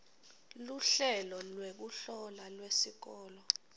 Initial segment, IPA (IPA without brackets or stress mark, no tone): l